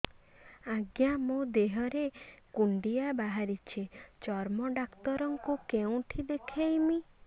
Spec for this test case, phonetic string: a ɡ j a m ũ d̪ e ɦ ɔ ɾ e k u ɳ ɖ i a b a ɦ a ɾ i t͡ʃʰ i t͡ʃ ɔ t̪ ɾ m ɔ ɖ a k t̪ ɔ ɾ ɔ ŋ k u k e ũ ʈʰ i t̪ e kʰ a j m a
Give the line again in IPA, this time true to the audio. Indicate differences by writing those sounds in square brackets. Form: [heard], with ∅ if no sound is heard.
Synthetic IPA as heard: a ɡ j a m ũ d̪ e ɦ ɔ ɾ e k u ɳ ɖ i a b a ɦ a ɾ i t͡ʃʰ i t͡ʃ ɔ [∅] ɾ m ɔ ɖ a k t̪ ɔ ɾ ɔ ŋ k u k e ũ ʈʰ i [d̪] e kʰ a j m [i]